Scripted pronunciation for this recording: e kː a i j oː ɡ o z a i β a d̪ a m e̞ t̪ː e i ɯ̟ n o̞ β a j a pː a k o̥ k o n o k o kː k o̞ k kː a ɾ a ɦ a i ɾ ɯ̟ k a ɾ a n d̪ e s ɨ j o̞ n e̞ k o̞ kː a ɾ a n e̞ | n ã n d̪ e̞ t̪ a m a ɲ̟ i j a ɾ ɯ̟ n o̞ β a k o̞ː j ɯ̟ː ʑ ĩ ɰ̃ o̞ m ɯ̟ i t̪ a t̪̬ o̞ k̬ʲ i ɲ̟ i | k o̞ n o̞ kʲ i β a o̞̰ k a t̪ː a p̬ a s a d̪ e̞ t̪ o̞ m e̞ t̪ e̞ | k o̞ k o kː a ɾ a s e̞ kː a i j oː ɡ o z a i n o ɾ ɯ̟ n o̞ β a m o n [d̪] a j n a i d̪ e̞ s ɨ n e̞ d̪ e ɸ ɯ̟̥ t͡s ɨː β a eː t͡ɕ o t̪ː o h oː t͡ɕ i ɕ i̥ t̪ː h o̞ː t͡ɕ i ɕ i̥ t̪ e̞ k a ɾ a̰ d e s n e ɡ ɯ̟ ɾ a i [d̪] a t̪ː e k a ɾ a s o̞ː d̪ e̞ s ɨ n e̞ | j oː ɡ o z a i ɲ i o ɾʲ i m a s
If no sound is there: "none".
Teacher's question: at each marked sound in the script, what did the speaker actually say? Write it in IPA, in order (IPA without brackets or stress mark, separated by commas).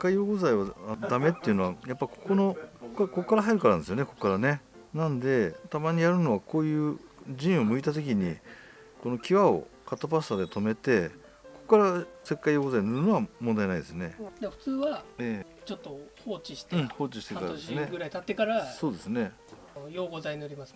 d̪, t̪